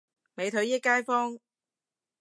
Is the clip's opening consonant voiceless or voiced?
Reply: voiced